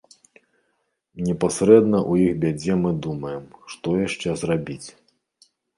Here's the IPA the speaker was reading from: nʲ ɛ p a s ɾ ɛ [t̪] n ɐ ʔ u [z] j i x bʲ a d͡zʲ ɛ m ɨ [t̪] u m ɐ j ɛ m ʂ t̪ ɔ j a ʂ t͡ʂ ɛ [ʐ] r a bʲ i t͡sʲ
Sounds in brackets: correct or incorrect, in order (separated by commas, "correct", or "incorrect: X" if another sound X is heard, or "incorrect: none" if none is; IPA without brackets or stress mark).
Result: incorrect: d̪, incorrect: none, incorrect: d̪, incorrect: z